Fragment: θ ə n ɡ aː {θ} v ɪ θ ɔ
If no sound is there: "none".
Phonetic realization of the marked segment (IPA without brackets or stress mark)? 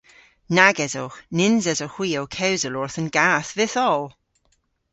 θ